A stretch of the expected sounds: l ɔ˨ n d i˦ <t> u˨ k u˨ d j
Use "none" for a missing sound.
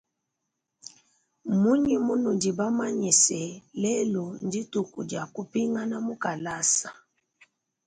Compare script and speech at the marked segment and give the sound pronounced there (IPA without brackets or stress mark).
t